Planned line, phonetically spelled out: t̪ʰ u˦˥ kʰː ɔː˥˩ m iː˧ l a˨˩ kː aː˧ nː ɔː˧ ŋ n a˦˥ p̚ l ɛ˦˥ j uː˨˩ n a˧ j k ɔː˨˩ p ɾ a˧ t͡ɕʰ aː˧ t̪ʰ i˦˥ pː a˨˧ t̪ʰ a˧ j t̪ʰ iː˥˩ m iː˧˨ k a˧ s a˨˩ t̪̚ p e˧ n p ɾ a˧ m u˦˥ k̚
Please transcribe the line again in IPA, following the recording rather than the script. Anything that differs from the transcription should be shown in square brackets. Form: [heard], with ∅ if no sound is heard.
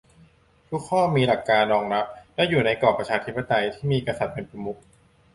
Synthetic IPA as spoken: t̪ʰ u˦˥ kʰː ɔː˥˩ m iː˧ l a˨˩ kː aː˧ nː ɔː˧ ŋ n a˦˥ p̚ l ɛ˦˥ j uː˨˩ n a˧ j k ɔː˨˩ p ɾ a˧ t͡ɕʰ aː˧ t̪ʰ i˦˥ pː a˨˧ [t̪] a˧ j t̪ʰ iː˥˩ m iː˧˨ k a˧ s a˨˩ t̪̚ p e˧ n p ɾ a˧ m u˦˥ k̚